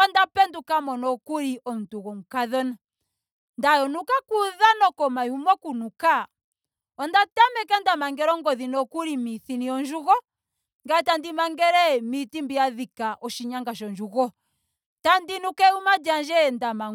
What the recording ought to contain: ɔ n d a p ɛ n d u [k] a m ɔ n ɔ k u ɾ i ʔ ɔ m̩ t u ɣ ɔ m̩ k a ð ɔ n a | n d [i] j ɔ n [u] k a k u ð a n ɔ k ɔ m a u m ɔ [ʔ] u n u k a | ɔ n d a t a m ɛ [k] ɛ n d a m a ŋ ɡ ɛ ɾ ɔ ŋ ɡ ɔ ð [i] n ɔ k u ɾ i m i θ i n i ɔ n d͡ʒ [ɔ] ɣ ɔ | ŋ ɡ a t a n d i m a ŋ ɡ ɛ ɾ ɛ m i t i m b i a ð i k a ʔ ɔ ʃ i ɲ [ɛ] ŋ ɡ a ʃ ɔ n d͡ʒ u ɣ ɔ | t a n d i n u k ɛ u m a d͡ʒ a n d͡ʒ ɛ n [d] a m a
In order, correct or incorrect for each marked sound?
correct, incorrect, correct, incorrect, correct, correct, incorrect, incorrect, correct

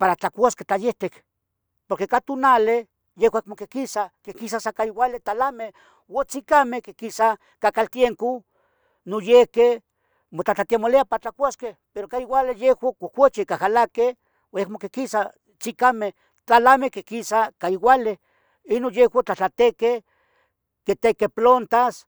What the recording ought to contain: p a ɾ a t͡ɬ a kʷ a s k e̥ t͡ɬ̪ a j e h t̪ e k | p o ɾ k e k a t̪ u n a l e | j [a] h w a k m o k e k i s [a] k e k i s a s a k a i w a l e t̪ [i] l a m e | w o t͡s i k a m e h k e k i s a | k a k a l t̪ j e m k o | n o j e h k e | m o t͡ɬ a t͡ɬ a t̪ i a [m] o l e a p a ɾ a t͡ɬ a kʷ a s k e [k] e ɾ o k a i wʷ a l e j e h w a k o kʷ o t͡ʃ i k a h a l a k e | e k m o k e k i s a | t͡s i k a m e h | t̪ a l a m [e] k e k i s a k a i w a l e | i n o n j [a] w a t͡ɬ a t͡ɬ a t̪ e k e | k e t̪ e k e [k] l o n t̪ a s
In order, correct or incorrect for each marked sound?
incorrect, correct, incorrect, correct, incorrect, correct, incorrect, incorrect

